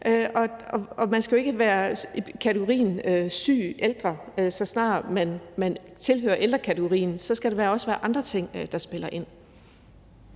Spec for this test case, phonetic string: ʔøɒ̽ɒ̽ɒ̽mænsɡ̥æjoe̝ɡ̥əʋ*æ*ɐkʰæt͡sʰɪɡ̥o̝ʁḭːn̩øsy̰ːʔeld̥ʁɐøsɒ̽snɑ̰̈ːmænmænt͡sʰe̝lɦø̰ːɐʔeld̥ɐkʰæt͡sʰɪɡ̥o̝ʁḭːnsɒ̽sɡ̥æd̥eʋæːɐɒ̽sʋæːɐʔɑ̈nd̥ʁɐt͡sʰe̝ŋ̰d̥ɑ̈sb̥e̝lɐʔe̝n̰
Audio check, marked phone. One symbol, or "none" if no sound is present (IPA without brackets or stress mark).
æː